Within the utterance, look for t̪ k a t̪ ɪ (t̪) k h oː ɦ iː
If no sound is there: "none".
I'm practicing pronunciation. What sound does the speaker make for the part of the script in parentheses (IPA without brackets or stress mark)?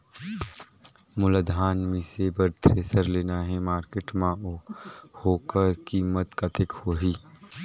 none